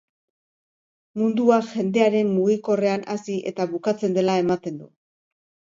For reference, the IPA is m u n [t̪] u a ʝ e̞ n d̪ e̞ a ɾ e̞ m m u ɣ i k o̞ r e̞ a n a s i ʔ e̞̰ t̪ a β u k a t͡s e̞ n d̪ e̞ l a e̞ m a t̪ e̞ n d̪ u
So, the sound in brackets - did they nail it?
no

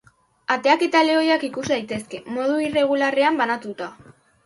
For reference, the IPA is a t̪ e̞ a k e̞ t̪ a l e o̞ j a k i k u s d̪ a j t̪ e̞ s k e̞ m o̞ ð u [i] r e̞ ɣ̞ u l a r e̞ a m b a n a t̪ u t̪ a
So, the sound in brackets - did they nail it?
yes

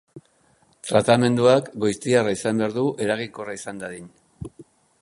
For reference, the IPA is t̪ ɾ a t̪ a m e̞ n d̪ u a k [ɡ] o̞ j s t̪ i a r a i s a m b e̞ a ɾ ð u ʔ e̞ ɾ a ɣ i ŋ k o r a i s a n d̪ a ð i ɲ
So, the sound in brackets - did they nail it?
yes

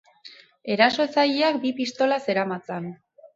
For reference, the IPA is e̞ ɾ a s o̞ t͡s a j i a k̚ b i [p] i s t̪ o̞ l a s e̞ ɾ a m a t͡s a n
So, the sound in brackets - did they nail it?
yes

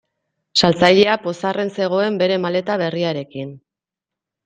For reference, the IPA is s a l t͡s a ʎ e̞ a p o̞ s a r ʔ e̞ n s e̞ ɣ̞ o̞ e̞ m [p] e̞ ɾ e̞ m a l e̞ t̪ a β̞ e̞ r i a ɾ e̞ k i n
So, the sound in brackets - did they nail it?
no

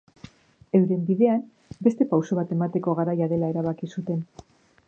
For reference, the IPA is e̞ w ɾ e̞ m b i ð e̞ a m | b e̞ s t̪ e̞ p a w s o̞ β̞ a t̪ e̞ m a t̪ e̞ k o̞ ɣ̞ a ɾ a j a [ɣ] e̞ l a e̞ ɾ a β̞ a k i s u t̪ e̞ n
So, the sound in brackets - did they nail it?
no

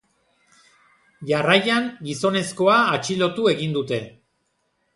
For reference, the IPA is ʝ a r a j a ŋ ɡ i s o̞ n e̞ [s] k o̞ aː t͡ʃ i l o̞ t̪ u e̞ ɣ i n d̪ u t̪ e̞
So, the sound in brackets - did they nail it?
yes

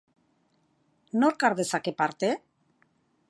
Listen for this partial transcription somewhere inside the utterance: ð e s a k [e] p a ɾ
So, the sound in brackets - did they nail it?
yes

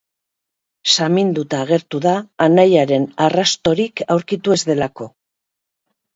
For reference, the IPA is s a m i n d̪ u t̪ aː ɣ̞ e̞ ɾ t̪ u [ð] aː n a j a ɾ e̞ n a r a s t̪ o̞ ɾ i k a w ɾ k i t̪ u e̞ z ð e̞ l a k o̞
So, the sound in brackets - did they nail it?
yes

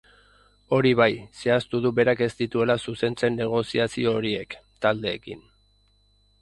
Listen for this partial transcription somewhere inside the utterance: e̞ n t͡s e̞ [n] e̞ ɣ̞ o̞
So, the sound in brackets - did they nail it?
no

